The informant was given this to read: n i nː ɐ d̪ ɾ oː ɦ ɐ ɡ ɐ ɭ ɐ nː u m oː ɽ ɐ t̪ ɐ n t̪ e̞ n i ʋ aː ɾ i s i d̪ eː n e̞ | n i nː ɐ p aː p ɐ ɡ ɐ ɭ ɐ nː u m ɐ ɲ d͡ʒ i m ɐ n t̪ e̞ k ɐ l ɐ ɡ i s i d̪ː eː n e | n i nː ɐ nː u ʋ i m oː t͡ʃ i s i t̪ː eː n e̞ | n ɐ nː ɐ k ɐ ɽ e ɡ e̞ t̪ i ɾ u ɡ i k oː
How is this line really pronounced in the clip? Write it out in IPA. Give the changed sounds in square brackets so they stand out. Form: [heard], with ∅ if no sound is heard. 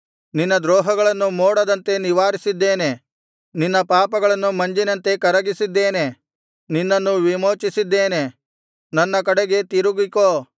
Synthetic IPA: n i nː ɐ d̪ ɾ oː ɦ ɐ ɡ ɐ ɭ ɐ nː u m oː ɽ ɐ [d̪] ɐ n t̪ e̞ n i ʋ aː ɾ i s i [d̪ː] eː n e̞ | n i nː ɐ p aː p ɐ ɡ ɐ ɭ ɐ nː u m ɐ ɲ d͡ʒ i [n] ɐ n t̪ e̞ k ɐ [ɾ] ɐ ɡ i s i d̪ː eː n e | n i nː ɐ nː u ʋ i m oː t͡ʃ i s i [d̪ː] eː n e̞ | n ɐ nː ɐ k ɐ ɽ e ɡ e̞ t̪ i ɾ u ɡ i k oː